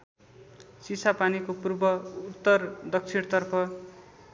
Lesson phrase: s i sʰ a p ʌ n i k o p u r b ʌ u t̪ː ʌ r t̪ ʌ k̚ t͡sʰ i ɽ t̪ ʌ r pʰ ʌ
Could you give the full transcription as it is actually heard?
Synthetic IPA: s i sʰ a p a n i k o p u r b ʌ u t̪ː ʌ r d̪ ʌ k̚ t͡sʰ i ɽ t̪ ʌ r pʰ ʌ